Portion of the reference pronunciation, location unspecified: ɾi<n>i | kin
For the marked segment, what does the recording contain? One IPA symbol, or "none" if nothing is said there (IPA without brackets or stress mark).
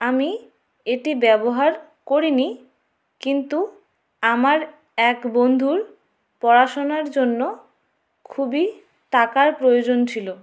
n